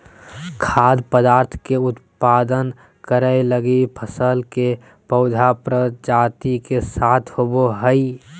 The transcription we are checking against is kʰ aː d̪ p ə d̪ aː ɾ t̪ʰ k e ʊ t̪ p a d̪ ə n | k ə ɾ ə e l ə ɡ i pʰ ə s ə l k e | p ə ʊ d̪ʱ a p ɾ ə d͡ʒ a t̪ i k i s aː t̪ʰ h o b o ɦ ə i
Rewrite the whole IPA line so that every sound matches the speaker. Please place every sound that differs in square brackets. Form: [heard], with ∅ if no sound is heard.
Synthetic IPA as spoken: kʰ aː d̪ p ə d̪ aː ɾ t̪ʰ k e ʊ t̪ p a d̪ ə n | k ə ɾ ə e l ə ɡ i pʰ ə s ə l k e | p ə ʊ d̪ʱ a p ɾ ə d͡ʒ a t̪ i k [e] s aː t̪ʰ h o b o ɦ ə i

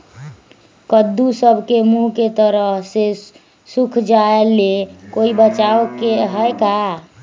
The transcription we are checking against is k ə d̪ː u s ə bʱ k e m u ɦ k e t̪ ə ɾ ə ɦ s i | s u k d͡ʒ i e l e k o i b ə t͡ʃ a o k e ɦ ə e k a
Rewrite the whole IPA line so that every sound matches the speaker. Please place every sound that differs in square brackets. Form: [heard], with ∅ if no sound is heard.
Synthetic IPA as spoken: k ə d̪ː u s ə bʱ k e m u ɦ k e t̪ ə ɾ ə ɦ s [e] | s u [kʰ] d͡ʒ [a] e l e k o i b ə t͡ʃ a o k e ɦ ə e k a

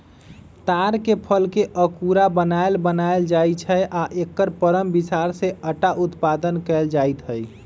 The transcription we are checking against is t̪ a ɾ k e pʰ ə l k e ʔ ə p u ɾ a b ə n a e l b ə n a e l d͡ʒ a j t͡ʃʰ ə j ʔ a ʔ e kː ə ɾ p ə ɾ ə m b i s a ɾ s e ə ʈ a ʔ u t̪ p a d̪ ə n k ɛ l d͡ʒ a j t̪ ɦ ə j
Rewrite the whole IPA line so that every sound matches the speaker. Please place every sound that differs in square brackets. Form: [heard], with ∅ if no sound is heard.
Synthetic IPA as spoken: t̪ a ɾ k e pʰ ə l k e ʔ ə [k] u ɾ a b ə n a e l b ə n a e l d͡ʒ a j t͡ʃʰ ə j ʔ a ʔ e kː ə ɾ p ə ɾ ə m b i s a ɾ s e ə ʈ a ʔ u t̪ p a d̪ ə n k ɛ l d͡ʒ a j t̪ ɦ ə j

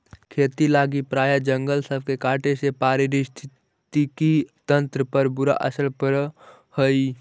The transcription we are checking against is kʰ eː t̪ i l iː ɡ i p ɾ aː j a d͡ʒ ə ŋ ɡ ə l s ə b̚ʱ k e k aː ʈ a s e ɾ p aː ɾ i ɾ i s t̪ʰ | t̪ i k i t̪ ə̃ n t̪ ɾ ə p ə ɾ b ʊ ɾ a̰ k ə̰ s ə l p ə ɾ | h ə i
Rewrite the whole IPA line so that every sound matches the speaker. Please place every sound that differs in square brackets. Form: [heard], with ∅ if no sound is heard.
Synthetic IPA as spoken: kʰ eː t̪ i l [aː] ɡ i p ɾ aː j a d͡ʒ ə ŋ ɡ ə l s ə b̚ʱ k e k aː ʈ [e] s e [∅] p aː ɾ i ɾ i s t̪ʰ | t̪ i k i t̪ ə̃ n t̪ ɾ ə p ə ɾ b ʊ ɾ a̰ [ʔ] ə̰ s ə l p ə ɾ | h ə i

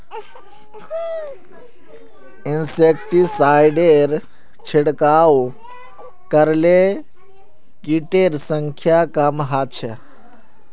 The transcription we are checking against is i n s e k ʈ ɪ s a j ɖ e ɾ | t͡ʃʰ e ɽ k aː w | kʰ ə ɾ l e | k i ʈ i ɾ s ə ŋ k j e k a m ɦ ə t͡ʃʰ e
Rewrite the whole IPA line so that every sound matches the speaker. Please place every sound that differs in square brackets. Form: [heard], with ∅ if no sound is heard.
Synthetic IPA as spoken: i n s e k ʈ [i] s a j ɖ e ɾ | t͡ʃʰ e ɽ k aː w | [k] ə ɾ l e | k i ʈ [e] ɾ s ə ŋ [kʰ] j [a] k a m ɦ [a] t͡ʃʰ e

